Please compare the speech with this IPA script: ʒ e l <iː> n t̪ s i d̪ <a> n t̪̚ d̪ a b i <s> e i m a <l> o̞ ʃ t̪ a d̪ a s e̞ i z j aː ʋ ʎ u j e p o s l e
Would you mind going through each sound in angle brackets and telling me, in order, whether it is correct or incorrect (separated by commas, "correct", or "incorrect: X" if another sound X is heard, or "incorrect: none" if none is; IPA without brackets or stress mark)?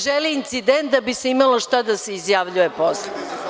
correct, incorrect: e, correct, correct